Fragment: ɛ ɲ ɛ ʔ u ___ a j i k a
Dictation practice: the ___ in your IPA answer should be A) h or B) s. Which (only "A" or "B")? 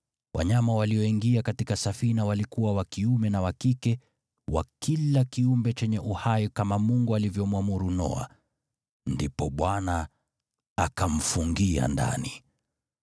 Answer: A